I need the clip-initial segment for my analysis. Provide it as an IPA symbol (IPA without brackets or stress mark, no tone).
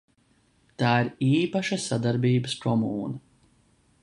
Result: t̪